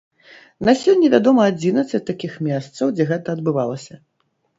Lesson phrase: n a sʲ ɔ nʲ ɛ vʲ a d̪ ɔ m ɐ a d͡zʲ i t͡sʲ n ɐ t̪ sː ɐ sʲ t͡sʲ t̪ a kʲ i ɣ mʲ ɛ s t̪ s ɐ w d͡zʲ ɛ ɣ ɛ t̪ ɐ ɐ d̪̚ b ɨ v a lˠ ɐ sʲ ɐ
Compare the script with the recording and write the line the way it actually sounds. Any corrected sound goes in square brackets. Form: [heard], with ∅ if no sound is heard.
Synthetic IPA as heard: n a sʲ ɔ [nʲː] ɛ vʲ a d̪ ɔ m ɐ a d͡zʲ i [∅] n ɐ t̪ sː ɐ [∅] t͡sʲ t̪ a kʲ i [x] mʲ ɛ s t̪ s ɐ w d͡zʲ ɛ ɣ ɛ t̪ ɐ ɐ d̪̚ b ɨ v a lˠ ɐ sʲ ɐ